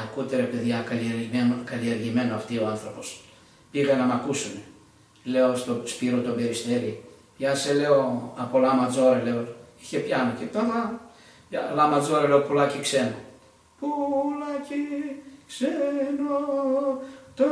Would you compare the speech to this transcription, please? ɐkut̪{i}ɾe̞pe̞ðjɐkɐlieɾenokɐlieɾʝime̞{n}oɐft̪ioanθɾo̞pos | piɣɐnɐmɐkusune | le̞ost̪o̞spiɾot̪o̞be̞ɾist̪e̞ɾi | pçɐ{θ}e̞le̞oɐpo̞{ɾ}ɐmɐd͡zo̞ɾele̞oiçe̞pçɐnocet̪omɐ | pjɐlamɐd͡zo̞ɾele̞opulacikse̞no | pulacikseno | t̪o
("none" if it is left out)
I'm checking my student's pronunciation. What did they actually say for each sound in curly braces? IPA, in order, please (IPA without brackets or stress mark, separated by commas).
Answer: e, n, s, l